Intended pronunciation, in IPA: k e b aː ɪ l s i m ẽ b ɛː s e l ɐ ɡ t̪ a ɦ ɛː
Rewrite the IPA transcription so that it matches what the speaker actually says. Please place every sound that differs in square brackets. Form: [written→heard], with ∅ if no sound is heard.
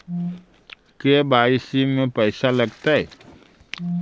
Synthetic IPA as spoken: k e b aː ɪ [l→∅] s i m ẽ [b→p] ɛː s [e→a] l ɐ ɡ t̪ a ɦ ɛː

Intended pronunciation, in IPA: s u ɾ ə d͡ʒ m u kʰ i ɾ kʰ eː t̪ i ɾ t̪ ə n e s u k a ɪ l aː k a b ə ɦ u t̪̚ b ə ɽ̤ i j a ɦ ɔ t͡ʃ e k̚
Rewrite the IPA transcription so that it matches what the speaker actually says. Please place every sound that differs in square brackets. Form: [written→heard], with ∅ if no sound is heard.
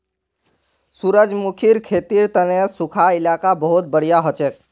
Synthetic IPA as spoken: s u ɾ ə d͡ʒ m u kʰ i ɾ kʰ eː t̪ i ɾ t̪ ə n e s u [k→kʰ] a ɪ l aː k a b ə ɦ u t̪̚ b ə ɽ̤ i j a ɦ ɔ t͡ʃ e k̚

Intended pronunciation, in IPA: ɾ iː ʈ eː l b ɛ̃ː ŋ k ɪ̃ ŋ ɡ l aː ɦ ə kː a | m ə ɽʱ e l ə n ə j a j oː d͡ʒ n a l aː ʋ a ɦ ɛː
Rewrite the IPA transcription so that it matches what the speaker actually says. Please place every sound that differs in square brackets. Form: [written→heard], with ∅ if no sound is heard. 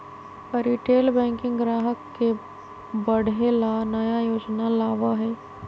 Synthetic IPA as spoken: ɾ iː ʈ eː l b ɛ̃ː ŋ k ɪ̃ ŋ ɡ [l→ɾ] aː ɦ ə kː [a→e] | [m→b] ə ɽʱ e l [ə→a] n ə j a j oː d͡ʒ n a l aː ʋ a ɦ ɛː

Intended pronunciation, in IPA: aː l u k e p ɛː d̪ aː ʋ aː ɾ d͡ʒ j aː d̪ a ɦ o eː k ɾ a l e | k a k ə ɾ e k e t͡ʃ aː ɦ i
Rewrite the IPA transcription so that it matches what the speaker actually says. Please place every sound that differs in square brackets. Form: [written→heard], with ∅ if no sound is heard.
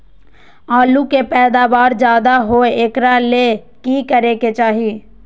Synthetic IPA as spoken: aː l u k e p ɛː d̪ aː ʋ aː ɾ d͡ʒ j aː d̪ a ɦ o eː k ɾ a l e | k [a→i] k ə ɾ e k e t͡ʃ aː ɦ i

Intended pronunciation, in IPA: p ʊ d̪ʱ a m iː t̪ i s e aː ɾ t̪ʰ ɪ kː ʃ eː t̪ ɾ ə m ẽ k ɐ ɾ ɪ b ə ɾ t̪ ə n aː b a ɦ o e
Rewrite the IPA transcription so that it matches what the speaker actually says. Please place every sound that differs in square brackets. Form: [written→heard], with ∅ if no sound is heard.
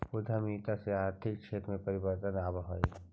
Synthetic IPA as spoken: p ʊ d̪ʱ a m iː t̪ [i→a] s e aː ɾ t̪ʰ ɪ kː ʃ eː t̪ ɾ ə m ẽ [k→p] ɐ ɾ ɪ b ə ɾ t̪ ə n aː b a ɦ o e

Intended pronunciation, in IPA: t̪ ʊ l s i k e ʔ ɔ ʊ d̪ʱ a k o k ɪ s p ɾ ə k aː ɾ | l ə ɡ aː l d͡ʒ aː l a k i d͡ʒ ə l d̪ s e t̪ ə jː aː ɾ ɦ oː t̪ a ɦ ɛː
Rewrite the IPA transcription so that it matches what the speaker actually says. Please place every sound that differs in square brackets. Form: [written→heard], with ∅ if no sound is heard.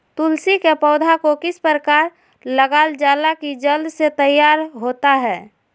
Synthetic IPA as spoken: t̪ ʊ l s i k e [ʔ→p] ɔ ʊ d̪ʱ a k o k ɪ s p ɾ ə k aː ɾ | l ə ɡ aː l d͡ʒ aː l a k i d͡ʒ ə l d̪ s e t̪ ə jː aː ɾ ɦ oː t̪ a ɦ ɛː

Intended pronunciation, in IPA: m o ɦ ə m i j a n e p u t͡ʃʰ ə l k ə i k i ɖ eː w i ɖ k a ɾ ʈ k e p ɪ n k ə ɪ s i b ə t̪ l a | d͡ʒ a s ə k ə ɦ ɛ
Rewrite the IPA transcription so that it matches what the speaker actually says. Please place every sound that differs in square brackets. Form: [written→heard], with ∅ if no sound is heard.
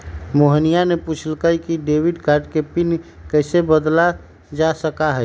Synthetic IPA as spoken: m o ɦ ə [m→n] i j a n e p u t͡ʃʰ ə l k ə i k i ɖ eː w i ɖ k a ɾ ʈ k e p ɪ n k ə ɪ s [i→e] b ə [t̪→d̪] l a | d͡ʒ a s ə k [ə→a] ɦ ɛ

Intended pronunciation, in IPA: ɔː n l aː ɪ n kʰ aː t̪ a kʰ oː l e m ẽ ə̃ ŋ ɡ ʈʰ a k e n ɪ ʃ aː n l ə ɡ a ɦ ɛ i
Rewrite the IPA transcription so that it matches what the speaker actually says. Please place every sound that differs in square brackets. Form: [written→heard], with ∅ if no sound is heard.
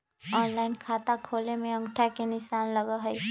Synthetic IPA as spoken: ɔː n l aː ɪ n kʰ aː t̪ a kʰ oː l e m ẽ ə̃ ŋ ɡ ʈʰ a k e n ɪ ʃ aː n l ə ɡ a ɦ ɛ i

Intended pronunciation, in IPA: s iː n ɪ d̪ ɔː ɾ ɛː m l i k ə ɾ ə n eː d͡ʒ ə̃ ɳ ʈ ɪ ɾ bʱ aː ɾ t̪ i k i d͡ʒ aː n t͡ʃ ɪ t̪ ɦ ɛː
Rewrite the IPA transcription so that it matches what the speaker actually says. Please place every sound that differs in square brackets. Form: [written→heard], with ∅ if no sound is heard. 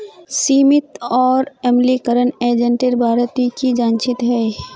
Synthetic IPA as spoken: s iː [n→m] ɪ [d̪→t̪] ɔː ɾ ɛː m l i k ə ɾ ə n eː d͡ʒ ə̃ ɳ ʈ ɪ ɾ bʱ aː ɾ t̪ i k i d͡ʒ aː n t͡ʃ ɪ t̪ ɦ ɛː

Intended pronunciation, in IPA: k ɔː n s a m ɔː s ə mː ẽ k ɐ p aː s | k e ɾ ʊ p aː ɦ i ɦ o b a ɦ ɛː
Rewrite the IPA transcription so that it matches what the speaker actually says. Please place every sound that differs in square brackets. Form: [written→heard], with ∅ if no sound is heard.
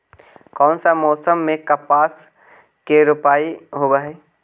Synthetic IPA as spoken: k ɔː n s a m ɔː s ə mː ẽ k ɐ p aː s | k e ɾ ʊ p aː [ɦ→∅] i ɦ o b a ɦ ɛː

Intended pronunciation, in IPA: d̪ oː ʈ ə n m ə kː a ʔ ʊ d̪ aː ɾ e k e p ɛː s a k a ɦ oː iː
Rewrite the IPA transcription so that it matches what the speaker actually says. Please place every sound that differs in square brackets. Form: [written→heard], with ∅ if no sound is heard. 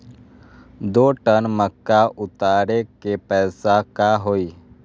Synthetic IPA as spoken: d̪ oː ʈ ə n m ə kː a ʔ ʊ [d̪→t̪] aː ɾ e k e p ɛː s a k a ɦ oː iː

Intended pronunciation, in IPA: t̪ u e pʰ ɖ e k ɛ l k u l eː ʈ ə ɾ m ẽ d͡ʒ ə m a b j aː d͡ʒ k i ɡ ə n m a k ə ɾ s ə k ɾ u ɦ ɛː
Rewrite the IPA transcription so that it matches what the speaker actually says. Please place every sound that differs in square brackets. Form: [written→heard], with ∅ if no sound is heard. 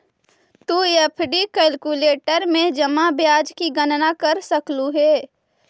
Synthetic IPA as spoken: t̪ u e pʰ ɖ [e→i] k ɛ l k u l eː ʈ ə ɾ m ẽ d͡ʒ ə m a b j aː d͡ʒ k i ɡ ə n [m→n] a k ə ɾ s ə k [ɾ→l] u ɦ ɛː

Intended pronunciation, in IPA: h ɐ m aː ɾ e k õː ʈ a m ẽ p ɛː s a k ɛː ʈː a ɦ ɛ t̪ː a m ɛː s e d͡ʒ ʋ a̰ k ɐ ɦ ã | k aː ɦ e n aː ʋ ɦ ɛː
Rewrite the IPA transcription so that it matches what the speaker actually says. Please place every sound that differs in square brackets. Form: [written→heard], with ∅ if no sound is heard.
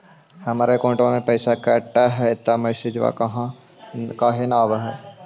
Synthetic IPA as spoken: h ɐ m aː ɾ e k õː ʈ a m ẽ p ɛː s a k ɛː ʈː a ɦ ɛ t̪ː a m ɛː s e d͡ʒ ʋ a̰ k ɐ ɦ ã | k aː ɦ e n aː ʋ ɦ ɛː

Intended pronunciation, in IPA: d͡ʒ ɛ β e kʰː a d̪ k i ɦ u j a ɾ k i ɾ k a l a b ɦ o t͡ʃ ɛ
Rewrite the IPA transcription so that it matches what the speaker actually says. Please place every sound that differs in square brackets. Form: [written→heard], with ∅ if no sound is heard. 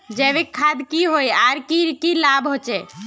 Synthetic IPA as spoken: d͡ʒ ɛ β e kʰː a d̪ k i ɦ [u→o] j a ɾ k i ɾ k [a→i] l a b ɦ o t͡ʃ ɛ

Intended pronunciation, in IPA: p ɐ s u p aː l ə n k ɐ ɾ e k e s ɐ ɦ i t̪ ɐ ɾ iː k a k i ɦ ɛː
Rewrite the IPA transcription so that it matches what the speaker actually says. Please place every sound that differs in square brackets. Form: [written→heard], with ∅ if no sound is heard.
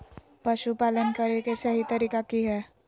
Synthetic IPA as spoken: p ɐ [s→ʃ] u p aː l ə n k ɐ ɾ e k e s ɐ ɦ i t̪ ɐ ɾ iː k a k i ɦ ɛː

